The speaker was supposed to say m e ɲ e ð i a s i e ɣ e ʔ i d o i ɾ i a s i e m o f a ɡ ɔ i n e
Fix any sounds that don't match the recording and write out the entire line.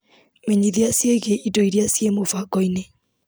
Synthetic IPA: m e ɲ i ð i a s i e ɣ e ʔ i d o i ɾ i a s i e m o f a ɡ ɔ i n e